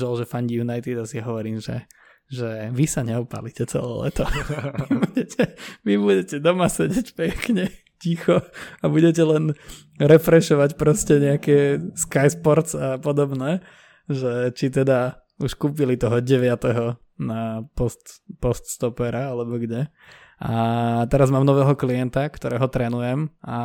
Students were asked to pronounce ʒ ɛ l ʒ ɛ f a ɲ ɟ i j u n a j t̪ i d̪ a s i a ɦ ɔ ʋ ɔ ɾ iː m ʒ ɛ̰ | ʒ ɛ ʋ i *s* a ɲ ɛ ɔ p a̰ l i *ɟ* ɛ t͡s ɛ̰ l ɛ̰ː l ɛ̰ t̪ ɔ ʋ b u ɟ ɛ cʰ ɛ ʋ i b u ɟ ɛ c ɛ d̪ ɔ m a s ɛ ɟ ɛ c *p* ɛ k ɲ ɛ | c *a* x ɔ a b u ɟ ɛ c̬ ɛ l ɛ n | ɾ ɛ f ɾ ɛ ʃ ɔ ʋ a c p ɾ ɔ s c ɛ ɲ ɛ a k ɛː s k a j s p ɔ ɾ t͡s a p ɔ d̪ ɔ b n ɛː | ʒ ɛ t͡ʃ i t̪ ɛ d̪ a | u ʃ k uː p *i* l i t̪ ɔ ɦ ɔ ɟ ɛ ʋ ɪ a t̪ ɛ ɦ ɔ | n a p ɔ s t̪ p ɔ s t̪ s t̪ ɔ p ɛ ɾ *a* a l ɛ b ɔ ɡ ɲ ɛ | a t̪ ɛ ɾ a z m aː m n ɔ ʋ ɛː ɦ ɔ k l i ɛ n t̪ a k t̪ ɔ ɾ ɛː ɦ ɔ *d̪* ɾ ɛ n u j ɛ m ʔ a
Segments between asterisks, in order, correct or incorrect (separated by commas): correct, incorrect, correct, incorrect, correct, correct, incorrect